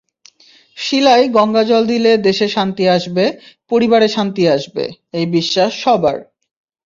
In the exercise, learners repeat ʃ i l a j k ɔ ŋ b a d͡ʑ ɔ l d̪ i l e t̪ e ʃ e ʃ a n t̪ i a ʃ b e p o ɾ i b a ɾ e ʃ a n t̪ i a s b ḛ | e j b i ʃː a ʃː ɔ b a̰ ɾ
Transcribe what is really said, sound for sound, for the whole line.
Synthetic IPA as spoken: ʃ i l a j ɡ ɔ ŋ ɡ a d͡ʑ ɔ l d̪ i l e d̪ e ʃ e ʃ a n t̪ i a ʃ b e p o ɾ i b a ɾ e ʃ a n t̪ i a ʃ b ḛ | e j b i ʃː a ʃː ɔ b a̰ ɾ